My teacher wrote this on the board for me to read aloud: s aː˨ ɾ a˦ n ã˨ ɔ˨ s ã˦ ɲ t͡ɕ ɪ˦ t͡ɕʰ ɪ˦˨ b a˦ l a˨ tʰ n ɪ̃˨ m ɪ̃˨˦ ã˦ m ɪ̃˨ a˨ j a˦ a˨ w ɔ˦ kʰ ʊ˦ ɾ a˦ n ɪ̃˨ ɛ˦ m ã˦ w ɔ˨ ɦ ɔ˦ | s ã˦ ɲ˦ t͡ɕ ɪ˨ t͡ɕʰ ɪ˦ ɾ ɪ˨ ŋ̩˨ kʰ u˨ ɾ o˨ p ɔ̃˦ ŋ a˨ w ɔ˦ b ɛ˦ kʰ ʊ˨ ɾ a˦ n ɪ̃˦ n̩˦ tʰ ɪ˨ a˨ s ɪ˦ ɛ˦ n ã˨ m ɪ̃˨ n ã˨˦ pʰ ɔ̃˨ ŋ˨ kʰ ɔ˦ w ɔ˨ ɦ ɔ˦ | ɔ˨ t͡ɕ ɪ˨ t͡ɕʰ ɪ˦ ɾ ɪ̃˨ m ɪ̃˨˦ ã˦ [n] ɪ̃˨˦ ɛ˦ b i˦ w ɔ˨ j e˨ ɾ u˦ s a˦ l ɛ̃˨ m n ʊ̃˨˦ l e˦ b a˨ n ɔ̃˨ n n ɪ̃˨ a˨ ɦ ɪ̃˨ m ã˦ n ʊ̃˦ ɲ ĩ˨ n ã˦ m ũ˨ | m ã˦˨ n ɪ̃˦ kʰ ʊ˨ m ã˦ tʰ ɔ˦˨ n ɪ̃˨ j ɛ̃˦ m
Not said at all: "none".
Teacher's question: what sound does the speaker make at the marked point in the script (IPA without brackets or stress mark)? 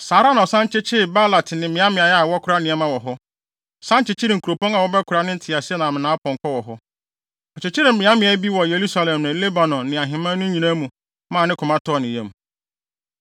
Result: m